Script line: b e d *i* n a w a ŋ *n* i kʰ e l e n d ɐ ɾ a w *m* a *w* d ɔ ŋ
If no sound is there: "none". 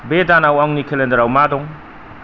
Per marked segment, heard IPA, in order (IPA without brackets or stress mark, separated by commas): a, n, m, none